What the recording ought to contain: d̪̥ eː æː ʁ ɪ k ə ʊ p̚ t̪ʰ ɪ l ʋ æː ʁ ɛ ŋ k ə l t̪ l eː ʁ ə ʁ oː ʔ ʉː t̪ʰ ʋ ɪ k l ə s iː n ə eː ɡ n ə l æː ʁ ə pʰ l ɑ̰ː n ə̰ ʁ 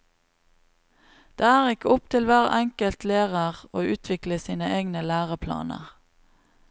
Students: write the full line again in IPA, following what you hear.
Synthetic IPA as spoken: d̪̥ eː æː ʁ ɪ k ə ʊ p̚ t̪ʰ ɪ l ʋ æː ʁ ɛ ŋ k ə l t̪ l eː ʁ ə ʁ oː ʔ ʉː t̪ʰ ʋ ɪ k l ə s iː n ə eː ɡ n ə l æː ʁ ə pʰ l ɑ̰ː n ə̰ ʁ